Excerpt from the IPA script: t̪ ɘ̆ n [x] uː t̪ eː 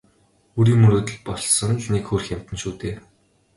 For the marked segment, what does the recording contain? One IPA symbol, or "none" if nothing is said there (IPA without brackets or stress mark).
ʃ